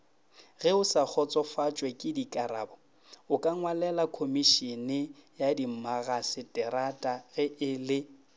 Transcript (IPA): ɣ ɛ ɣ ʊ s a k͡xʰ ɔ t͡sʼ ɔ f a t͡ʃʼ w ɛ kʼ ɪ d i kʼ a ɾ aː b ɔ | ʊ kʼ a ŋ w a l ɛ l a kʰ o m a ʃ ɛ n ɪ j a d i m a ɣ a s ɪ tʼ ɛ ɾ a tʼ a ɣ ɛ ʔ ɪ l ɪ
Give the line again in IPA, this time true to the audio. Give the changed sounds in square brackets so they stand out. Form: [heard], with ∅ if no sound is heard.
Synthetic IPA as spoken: ɣ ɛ [∅] ʊ s a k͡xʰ ɔ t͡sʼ ɔ f a t͡ʃʼ w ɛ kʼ ɪ d i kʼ a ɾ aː b ɔ | ʊ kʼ a ŋ w a l ɛ l a kʰ o m [i] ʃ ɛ n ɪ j a d i m a ɣ a s ɪ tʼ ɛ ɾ a tʼ a ɣ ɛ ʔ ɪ l ɪ